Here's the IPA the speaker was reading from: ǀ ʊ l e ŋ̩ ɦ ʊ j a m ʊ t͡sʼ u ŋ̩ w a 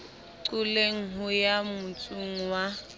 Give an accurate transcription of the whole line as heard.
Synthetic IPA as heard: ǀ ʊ l e ŋ̩ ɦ ʊ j a m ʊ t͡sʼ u ŋ̩ w a